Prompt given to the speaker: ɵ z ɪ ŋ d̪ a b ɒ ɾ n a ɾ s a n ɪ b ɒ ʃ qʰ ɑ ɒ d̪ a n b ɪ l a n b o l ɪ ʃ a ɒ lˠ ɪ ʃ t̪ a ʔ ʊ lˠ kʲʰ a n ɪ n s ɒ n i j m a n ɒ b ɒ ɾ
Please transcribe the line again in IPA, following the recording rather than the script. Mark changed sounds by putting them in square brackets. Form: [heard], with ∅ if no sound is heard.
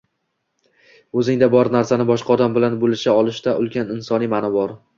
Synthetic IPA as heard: ɵ z ɪ ŋ d̪ a b ɒ ɾ n a ɾ s a n ɪ b ɒ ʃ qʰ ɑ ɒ d̪ a [m] b ɪ l a n b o l ɪ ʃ a ɒ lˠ ɪ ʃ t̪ a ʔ ʊ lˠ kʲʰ a n ɪ n s ɒ n i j m a n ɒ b ɒ ɾ